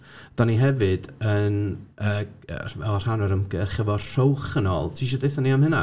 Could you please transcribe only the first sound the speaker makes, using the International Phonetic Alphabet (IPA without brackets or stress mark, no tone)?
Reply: d̥